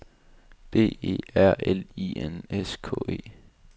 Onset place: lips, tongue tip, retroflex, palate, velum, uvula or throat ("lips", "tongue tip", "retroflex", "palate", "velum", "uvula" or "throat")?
lips